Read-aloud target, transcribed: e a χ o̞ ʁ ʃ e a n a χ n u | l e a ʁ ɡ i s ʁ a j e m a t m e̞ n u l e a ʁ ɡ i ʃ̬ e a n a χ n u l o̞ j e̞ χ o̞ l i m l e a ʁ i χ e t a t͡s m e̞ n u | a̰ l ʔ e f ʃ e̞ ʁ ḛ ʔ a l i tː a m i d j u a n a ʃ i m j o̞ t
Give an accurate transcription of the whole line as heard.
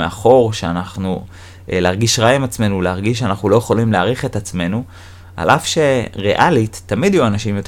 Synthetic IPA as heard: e a χ o̞ ʁ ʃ e a n a χ n u | l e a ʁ ɡ i ʃ ʁ a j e m a t͡s m e̞ n u l e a ʁ ɡ i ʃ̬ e a n a χ n u l o̞ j e̞ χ o̞ l i m l e a ʁ i χ e t a t͡s m e̞ n u | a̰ l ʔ a f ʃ e̞ ʁ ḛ ʔ a l i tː a m i d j u a n a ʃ i m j o̞ t